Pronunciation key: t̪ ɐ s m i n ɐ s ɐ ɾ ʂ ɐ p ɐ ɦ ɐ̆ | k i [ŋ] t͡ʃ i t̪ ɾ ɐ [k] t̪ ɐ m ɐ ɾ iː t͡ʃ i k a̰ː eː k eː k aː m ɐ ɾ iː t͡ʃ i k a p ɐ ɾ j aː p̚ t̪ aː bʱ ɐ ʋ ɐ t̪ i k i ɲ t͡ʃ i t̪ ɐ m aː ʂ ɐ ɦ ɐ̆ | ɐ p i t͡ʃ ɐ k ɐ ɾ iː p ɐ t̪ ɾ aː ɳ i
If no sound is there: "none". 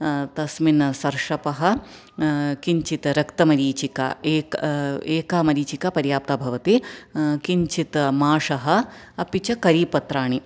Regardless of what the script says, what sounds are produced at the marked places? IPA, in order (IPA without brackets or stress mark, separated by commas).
ɲ, k